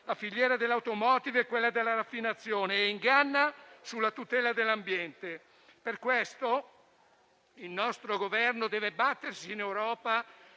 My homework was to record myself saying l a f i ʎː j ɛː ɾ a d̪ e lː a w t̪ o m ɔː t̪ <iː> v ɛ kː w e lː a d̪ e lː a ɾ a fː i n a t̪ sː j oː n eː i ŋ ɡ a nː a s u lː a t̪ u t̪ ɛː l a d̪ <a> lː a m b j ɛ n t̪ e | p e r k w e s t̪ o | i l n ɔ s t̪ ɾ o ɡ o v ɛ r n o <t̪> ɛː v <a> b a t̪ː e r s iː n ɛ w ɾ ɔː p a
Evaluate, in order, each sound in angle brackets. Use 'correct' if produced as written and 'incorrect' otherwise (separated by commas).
incorrect, incorrect, incorrect, incorrect